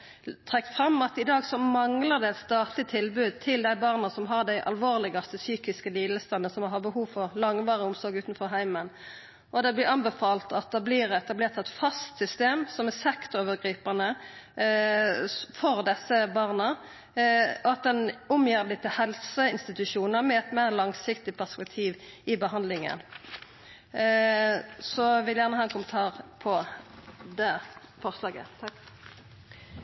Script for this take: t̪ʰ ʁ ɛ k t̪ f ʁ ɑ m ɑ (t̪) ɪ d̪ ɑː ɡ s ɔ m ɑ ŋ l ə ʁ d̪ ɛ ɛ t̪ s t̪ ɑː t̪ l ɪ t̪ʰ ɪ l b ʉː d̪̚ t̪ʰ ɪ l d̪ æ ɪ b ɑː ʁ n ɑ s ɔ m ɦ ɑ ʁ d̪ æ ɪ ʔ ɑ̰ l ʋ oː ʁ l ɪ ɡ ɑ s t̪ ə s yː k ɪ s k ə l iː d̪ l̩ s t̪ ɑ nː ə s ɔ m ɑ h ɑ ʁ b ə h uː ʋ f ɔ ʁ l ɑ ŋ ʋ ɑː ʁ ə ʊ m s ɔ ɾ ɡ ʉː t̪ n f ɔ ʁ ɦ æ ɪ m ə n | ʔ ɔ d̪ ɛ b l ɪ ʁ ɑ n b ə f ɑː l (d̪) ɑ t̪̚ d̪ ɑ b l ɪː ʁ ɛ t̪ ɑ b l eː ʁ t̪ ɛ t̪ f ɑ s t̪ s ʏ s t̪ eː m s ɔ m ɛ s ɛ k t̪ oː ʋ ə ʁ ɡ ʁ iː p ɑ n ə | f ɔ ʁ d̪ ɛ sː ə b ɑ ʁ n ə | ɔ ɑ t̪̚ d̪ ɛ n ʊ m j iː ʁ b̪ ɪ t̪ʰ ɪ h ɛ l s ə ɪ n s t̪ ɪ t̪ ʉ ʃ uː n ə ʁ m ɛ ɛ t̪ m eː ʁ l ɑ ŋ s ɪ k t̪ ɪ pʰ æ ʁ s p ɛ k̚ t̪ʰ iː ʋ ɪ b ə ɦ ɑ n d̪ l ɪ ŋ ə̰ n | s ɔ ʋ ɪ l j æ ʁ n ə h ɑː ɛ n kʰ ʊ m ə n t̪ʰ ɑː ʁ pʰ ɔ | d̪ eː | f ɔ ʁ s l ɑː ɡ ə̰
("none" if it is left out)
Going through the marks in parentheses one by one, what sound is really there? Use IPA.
t̪, t̪

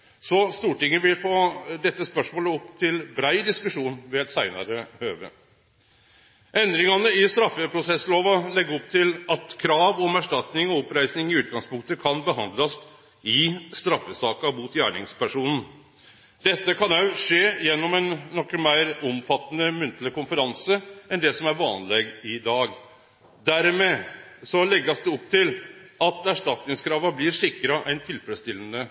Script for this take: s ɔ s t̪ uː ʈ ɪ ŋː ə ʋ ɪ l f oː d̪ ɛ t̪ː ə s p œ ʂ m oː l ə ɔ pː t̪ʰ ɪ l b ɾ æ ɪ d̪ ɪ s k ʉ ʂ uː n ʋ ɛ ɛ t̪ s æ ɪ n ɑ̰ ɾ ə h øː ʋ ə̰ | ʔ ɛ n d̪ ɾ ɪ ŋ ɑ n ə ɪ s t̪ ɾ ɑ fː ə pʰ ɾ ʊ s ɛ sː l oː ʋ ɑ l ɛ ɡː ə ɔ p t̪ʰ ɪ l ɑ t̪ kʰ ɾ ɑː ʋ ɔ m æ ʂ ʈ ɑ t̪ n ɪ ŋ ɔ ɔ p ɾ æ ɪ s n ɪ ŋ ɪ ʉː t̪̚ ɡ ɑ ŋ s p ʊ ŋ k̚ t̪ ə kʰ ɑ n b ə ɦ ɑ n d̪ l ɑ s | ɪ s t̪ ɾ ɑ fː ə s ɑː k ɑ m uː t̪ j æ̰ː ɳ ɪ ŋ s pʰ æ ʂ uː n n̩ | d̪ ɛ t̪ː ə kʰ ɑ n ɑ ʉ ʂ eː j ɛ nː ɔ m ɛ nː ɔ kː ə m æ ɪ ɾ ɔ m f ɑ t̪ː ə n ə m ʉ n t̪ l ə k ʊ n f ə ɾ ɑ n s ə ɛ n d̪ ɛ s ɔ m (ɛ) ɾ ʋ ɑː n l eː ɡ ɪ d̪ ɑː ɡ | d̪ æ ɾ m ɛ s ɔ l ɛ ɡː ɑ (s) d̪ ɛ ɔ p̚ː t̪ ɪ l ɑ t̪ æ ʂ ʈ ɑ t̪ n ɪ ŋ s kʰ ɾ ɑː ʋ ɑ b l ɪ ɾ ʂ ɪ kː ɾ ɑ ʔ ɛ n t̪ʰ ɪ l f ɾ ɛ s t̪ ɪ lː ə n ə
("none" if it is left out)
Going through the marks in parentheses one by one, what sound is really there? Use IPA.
æ, s

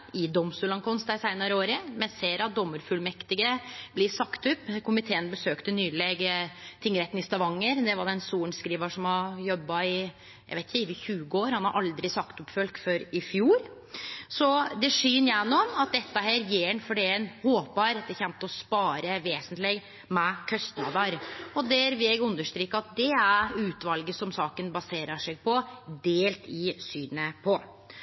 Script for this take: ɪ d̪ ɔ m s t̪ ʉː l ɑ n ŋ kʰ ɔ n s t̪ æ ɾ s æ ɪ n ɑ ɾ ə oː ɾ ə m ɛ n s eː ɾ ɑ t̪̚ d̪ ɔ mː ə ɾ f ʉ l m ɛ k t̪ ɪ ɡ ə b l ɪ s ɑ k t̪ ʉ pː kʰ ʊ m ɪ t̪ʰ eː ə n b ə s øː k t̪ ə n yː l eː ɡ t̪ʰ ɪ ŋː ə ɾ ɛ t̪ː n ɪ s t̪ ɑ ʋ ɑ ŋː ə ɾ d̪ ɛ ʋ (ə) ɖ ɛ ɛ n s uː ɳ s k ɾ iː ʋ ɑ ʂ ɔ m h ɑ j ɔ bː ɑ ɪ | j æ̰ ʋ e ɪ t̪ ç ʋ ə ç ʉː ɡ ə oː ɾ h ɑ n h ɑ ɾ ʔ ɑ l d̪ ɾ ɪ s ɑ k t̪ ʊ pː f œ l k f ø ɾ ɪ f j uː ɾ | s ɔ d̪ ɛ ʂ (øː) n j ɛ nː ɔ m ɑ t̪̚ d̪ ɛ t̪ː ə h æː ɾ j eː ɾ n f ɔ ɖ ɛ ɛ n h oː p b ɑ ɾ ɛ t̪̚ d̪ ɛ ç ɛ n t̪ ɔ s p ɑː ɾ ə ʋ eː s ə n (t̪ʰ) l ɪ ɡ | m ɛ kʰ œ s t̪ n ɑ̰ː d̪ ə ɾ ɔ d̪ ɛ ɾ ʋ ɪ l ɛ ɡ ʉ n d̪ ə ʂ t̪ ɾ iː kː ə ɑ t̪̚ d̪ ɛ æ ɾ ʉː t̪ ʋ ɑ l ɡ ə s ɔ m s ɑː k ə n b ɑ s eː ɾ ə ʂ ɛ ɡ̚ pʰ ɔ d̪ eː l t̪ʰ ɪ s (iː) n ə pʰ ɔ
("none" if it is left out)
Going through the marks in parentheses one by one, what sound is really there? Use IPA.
ɑ, yː, t̪, yː

